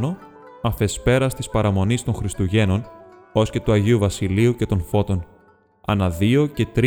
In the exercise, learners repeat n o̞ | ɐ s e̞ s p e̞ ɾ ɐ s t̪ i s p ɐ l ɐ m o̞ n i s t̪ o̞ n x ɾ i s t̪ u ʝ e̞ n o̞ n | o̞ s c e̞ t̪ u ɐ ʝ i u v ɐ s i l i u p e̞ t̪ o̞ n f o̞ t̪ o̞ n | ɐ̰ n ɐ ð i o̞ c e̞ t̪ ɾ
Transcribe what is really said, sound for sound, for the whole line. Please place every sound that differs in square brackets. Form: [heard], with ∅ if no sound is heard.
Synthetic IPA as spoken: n o̞ | ɐ [f] e̞ s p e̞ ɾ ɐ s t̪ i s p ɐ [ɾ] ɐ m o̞ n i s t̪ o̞ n x ɾ i s t̪ u ʝ e̞ n o̞ n | o̞ s c e̞ t̪ u ɐ ʝ i u v ɐ s i l i u [c] e̞ t̪ o̞ n f o̞ t̪ o̞ n | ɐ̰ n ɐ ð i o̞ c e̞ t̪ ɾ